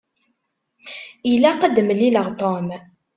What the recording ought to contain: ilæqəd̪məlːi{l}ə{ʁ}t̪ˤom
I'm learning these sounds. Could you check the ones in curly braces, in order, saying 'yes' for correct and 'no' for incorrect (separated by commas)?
yes, yes